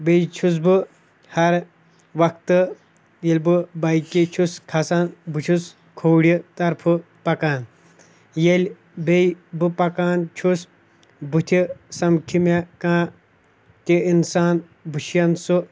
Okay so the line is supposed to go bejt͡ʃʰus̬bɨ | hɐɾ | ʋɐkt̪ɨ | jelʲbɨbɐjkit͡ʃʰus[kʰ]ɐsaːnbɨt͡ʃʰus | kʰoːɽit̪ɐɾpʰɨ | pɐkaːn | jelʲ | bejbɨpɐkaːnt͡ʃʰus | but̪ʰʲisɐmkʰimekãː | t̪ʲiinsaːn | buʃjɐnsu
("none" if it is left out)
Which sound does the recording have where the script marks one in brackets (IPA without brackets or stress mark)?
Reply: kʰ